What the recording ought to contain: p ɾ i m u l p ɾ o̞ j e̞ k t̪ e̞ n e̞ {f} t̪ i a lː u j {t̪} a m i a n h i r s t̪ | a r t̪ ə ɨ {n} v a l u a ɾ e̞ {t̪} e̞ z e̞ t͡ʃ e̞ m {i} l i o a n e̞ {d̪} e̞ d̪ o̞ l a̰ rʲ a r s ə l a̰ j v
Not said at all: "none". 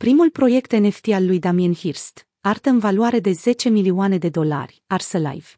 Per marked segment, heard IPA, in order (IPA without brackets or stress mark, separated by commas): f, d̪, n, d̪, i, d̪